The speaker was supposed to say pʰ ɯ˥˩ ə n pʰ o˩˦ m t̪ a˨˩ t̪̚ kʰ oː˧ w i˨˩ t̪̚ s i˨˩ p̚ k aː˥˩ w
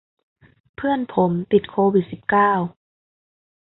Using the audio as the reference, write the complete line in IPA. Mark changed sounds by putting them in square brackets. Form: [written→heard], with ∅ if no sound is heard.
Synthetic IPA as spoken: pʰ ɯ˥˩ ə n pʰ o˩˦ m t̪ [a˨˩→i˨˩] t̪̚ kʰ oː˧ w i˨˩ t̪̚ s i˨˩ p̚ k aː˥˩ w